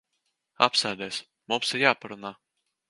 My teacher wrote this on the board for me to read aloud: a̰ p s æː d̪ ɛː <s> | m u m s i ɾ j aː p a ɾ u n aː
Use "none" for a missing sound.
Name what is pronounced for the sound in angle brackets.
s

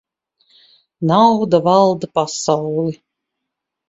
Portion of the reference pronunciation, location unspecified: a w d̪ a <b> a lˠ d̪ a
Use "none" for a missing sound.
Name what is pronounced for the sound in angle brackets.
v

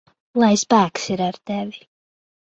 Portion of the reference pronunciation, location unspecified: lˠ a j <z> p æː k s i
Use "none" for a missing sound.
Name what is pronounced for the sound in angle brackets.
s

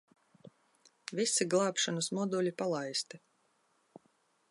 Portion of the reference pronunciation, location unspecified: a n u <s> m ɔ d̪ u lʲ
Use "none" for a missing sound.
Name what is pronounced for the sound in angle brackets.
s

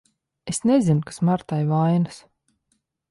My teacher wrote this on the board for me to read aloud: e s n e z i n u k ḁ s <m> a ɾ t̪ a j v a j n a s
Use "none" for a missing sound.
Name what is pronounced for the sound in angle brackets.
m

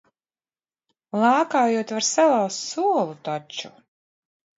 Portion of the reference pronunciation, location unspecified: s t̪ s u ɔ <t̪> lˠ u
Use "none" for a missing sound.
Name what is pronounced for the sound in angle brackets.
none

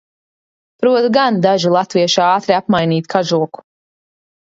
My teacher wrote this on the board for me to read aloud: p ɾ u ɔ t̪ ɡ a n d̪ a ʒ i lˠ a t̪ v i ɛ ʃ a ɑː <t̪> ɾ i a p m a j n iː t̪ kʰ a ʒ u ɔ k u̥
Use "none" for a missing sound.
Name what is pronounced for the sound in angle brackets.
t̪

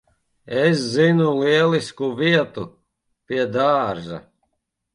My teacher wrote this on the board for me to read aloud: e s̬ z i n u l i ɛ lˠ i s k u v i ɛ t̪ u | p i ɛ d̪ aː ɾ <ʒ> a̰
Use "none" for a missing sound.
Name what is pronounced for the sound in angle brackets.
ʒ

